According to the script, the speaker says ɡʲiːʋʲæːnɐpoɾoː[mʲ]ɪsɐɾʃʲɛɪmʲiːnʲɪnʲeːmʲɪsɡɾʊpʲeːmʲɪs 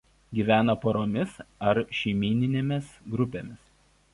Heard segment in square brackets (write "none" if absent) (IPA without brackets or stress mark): mʲ